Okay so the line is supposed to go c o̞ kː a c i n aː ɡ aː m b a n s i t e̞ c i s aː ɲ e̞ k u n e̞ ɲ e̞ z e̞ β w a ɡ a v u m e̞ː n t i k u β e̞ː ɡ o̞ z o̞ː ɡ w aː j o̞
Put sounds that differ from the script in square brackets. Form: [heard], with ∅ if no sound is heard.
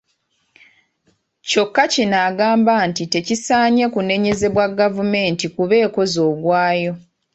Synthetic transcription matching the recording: c o̞ kː a c i n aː ɡ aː m b a n [t] i t e̞ c i s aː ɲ e̞ k u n e̞ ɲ e̞ z e̞ β w a ɡ a v u m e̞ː n t i k u β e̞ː [k] o̞ z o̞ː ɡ w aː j o̞

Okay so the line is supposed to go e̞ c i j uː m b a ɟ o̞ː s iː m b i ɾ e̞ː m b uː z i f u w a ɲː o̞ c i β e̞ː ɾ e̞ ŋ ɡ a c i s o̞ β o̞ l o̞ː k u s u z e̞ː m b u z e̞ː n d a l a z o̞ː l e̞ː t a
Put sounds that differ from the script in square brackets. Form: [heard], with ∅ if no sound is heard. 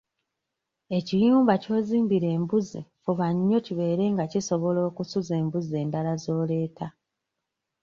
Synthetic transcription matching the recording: e̞ c i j uː m b a [c] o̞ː [z] iː m b i ɾ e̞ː m b [u] z i f u [β] a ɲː o̞ c i β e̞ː ɾ e̞ ŋ ɡ a c i s o̞ β o̞ l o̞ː k u s u z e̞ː m b u z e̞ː n d a l a z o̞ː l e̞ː t a

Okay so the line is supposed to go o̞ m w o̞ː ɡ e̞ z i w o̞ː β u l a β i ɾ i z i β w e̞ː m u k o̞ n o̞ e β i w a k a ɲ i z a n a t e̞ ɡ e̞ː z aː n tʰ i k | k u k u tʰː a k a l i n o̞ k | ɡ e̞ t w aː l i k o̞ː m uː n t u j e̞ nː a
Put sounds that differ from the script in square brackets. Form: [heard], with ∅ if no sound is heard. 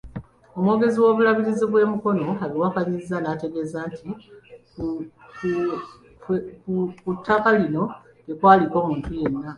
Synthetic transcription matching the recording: o̞ m w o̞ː ɡ e̞ z i w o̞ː β u l a β i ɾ i z i β w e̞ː m u k o̞ n o̞ [a] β i w a k a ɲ i z a n a t e̞ ɡ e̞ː z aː n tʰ i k | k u k u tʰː a k a l i n o̞ [∅] | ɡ e̞ [k] w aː l i k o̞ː m uː n t u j e̞ nː a

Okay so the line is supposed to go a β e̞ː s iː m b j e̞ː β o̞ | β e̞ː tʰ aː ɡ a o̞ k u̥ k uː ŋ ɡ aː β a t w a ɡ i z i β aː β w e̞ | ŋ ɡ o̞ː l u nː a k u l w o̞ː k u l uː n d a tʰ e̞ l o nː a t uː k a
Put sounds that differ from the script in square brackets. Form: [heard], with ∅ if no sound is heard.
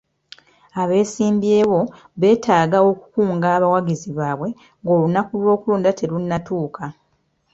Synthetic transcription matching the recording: a β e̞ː s iː m b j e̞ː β o̞ | β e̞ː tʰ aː ɡ a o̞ k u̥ k uː ŋ ɡ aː β a [∅] w a ɡ i z i β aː β w e̞ | ŋ ɡ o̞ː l u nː a k u l w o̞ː k u l uː n d a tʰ e̞ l [u] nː a t uː k a

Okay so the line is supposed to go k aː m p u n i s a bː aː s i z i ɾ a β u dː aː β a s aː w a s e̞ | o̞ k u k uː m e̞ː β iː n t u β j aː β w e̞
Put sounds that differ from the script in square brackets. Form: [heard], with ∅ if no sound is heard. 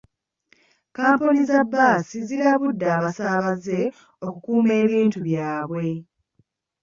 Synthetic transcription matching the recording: k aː m p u n i [z] a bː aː s i z i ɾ a β u dː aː β a s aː [β] a [z] e̞ | o̞ k u k uː m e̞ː β iː n t u β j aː β w e̞

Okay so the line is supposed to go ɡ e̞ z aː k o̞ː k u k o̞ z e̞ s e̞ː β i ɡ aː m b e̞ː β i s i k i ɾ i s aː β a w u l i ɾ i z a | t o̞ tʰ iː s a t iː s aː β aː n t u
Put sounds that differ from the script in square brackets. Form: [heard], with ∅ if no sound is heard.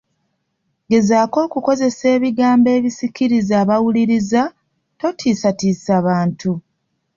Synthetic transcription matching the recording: ɡ e̞ z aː k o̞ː k u k o̞ z e̞ s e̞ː β i ɡ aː m b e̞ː β i s i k i ɾ i [z] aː β a w u l i ɾ i z a | t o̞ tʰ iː s a t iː s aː β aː n t u

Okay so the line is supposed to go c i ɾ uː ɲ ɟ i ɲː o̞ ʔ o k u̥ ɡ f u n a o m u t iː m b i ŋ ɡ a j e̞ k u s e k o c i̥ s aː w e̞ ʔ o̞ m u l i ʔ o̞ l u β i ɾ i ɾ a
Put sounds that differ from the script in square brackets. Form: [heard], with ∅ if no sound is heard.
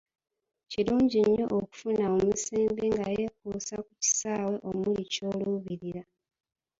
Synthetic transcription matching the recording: c i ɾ uː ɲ ɟ i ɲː o̞ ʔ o k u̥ [∅] f u n a o m u [s] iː m b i ŋ ɡ a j e̞ k u s [a] k [u] c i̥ s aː w e̞ ʔ o̞ m u l i [c] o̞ l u β i ɾ i ɾ a

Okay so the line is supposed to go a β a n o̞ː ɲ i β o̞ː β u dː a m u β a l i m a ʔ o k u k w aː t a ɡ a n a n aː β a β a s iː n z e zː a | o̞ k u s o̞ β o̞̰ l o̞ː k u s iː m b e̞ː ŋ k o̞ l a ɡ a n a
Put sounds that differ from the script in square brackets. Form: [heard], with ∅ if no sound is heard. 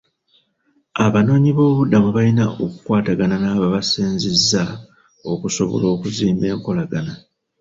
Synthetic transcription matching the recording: a β a n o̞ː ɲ i β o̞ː β u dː a m u β a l i [n] a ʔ o k u k w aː t a ɡ a n a n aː β a β a s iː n z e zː a | o̞ k u s o̞ β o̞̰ l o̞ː k u [z] iː m b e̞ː ŋ k o̞ l a ɡ a n a

